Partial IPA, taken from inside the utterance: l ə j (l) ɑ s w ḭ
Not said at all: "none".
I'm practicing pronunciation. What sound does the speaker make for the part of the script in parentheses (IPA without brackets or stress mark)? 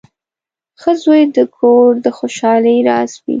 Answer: ɾ